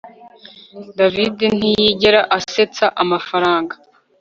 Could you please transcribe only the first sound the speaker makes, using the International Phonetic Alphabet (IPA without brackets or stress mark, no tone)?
d